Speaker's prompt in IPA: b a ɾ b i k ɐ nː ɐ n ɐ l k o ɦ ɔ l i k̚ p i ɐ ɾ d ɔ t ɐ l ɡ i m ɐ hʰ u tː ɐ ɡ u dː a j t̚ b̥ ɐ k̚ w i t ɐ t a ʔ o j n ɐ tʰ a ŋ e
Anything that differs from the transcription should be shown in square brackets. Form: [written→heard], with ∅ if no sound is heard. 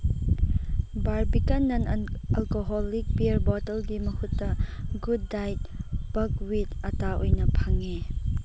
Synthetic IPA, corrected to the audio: b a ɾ b i k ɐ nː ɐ n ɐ l k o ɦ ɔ l i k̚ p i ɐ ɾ [d→b] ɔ t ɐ l ɡ i m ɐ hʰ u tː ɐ ɡ u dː a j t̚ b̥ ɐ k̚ w i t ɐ t a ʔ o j n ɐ [tʰ→pʰ] a ŋ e